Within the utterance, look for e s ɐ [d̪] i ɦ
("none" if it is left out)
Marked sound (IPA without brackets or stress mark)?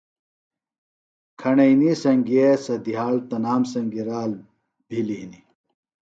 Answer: d̪